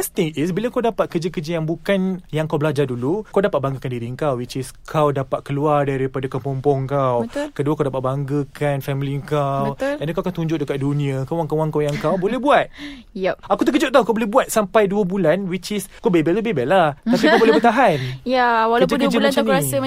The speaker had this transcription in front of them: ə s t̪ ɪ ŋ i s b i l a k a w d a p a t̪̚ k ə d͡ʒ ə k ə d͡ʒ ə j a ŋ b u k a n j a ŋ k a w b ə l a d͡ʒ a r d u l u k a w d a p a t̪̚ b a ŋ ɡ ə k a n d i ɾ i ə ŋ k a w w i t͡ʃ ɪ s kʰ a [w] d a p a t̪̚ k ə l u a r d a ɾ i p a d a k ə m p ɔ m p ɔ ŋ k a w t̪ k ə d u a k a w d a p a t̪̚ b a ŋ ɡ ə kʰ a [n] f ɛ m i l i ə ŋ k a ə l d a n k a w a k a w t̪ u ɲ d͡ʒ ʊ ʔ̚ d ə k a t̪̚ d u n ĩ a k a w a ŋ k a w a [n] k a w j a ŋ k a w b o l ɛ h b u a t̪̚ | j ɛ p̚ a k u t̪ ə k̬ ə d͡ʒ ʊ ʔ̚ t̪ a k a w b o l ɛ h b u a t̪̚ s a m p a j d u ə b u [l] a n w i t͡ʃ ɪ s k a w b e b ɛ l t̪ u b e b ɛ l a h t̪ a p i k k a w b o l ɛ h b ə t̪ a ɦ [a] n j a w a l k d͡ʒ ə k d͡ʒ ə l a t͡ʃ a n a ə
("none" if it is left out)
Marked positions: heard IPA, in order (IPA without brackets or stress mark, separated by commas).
w, n, ŋ, l, a